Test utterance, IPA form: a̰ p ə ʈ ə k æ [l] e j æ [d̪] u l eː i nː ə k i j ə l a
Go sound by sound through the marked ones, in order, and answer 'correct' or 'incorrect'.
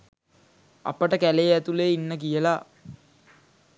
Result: correct, incorrect: t̪

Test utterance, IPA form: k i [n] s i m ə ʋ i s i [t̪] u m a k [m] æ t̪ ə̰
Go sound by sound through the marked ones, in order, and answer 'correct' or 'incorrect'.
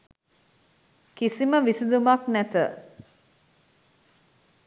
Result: incorrect: none, incorrect: d̪, incorrect: n

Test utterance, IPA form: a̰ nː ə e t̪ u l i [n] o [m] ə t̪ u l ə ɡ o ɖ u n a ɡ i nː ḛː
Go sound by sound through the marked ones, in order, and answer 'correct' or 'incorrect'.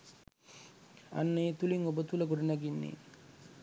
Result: incorrect: ŋ, incorrect: b

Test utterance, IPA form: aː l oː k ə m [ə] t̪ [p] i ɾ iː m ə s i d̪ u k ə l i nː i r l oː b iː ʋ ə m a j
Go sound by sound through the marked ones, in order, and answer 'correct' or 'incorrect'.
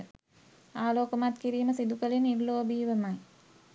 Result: incorrect: a, incorrect: k

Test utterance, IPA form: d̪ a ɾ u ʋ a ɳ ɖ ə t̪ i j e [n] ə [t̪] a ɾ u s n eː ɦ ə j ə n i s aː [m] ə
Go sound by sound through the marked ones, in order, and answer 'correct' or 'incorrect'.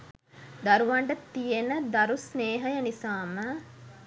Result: correct, incorrect: d̪, correct

